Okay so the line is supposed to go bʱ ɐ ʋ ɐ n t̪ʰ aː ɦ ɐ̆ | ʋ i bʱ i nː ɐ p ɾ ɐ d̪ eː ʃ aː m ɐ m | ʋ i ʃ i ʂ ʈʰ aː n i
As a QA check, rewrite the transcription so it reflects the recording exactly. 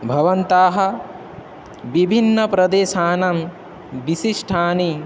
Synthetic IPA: bʱ ɐ ʋ ɐ n t̪ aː ɦ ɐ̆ | ʋ i bʱ i nː ɐ p ɾ ɐ d̪ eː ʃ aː n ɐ m | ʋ i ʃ i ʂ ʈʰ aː n i